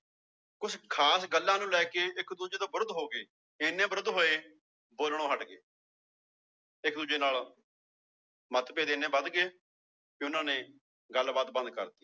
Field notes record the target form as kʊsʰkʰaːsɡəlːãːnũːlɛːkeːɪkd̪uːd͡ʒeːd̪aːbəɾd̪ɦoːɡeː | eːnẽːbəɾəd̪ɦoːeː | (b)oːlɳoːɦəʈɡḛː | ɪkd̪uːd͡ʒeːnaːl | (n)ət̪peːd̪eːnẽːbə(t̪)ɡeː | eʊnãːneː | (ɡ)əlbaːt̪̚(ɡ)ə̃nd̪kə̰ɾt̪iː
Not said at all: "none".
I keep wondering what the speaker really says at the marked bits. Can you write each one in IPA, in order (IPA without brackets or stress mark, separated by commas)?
b, m, d̪, ɡ, b